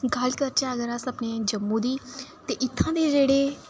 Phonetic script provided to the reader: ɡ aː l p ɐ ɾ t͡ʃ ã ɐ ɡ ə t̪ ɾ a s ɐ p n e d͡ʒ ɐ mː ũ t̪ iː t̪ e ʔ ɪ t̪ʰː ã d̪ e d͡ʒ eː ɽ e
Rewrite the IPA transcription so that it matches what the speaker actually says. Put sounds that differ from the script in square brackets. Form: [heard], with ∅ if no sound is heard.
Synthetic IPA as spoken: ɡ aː l [k] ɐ ɾ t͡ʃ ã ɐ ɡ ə [∅] ɾ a s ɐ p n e d͡ʒ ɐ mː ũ [d̪] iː t̪ e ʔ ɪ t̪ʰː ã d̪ e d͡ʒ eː ɽ e